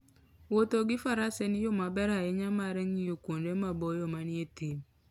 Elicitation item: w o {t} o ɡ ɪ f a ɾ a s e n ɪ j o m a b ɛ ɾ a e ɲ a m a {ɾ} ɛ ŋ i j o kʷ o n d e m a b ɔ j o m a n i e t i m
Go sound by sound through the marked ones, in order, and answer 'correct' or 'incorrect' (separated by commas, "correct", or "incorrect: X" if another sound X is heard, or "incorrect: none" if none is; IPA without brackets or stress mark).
correct, correct